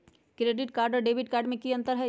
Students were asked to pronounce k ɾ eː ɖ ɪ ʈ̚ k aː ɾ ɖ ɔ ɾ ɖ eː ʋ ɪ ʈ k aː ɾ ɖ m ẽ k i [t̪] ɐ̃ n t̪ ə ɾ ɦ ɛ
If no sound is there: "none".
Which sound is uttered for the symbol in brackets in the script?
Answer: none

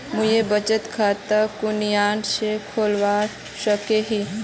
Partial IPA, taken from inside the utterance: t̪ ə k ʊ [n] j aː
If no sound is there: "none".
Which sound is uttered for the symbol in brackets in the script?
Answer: n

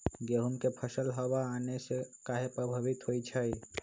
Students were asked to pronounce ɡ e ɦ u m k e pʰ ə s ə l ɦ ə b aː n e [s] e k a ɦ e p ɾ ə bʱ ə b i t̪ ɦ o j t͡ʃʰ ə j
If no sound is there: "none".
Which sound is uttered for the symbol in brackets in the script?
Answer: s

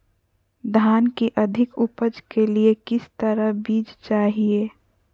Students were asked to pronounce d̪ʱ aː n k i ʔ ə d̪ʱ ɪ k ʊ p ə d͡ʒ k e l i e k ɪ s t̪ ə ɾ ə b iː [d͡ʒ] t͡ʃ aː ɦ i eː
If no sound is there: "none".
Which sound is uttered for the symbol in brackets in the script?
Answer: d͡ʒ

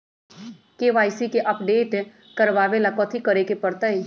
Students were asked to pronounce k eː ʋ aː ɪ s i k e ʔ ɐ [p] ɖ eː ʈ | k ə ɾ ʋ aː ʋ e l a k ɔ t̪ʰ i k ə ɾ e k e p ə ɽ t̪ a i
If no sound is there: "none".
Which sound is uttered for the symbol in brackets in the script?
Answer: p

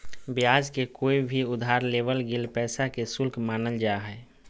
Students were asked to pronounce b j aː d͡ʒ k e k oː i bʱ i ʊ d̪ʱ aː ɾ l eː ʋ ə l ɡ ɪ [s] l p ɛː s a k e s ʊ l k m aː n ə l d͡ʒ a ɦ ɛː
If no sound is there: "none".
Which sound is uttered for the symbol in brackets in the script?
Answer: none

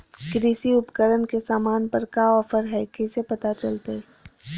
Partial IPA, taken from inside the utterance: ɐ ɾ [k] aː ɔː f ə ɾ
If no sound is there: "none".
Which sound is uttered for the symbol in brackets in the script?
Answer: k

